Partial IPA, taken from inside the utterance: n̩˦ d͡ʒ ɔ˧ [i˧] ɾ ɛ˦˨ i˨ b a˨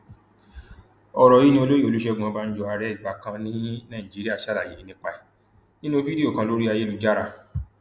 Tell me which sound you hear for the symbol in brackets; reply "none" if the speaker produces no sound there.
a˧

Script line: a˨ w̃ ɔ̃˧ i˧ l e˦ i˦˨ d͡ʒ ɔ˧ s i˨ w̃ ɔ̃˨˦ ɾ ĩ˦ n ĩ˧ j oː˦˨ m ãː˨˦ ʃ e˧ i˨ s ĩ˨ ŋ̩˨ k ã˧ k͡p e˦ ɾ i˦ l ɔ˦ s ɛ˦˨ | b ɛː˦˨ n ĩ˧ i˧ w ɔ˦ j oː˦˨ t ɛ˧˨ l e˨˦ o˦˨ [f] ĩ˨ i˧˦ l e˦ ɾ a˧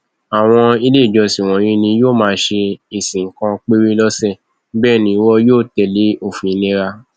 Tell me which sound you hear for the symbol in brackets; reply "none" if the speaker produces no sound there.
f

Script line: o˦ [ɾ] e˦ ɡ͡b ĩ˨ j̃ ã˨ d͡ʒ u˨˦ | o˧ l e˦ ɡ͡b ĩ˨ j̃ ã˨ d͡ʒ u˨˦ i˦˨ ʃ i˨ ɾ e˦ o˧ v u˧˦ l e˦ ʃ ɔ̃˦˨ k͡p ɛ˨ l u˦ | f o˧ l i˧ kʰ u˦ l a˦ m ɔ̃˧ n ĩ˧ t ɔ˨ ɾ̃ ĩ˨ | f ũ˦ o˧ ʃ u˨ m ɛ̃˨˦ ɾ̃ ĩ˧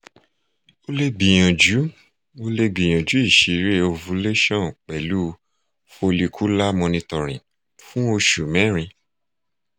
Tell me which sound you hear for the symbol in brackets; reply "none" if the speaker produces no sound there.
l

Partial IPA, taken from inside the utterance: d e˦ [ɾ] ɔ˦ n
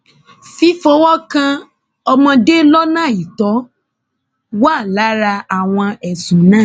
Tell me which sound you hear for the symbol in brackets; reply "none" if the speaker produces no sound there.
l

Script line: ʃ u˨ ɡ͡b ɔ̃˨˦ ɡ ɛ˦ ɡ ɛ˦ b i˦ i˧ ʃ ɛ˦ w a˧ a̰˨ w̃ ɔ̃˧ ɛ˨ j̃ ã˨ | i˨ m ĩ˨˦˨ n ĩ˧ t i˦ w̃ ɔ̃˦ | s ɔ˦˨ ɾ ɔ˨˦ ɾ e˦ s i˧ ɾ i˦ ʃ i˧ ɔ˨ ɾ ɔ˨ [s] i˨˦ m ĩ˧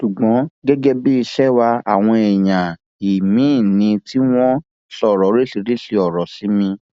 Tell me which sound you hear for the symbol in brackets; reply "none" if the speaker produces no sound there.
s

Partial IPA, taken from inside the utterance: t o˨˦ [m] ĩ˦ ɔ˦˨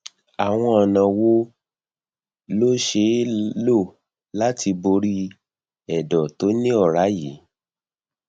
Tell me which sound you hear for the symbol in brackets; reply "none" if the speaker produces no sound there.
n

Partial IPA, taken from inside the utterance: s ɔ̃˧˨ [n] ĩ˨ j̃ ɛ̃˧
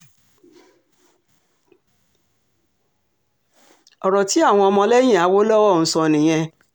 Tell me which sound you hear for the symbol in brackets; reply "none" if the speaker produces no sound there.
n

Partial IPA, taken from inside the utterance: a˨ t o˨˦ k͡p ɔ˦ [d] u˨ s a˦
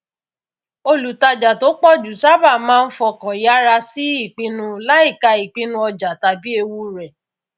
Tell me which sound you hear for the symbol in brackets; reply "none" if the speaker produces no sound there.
d͡ʒ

